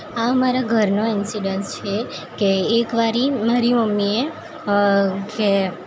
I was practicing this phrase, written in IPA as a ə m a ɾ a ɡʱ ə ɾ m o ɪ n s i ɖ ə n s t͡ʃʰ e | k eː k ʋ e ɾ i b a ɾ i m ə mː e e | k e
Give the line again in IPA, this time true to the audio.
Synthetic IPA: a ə m a ɾ a ɡʱ ə ɾ n o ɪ n s i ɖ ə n s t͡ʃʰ e | k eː k ʋ a ɾ i m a ɾ i m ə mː i e | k e